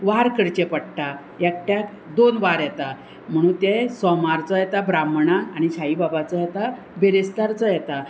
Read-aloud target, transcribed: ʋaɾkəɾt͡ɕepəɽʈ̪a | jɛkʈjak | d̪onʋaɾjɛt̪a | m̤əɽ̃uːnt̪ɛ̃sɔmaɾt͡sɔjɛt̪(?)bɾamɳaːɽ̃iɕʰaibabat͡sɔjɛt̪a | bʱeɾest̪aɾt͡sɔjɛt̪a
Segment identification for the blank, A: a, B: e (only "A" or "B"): A